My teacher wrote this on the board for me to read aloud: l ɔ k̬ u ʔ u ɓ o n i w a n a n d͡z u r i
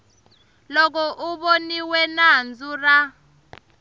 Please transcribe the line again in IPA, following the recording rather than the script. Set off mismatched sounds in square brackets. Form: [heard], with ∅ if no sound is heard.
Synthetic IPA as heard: l ɔ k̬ [ɔ] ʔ u ɓ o n i w [ɛ] n a n d͡z u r [a]